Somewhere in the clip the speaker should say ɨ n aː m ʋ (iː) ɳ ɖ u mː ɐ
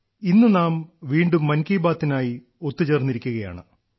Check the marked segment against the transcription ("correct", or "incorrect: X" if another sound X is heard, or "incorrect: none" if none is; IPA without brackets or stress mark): correct